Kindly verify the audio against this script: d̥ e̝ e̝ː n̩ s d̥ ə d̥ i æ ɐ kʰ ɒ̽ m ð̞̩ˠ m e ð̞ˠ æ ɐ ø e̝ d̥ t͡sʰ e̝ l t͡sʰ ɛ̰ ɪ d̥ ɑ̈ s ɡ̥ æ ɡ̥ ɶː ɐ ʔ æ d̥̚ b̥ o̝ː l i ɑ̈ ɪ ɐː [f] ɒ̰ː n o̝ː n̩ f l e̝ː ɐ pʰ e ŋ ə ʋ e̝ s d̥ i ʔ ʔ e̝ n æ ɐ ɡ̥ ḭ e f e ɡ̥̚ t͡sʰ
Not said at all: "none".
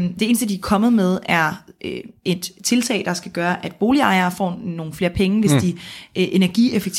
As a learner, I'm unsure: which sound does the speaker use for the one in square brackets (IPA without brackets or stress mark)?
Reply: f